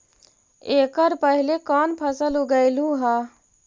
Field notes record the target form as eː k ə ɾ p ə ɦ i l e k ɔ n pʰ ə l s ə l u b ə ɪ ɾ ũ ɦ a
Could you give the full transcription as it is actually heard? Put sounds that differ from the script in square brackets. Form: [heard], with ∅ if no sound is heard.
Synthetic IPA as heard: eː k ə ɾ p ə ɦ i l e k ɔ n pʰ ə [∅] s ə l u [ɡ] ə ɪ [l] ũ ɦ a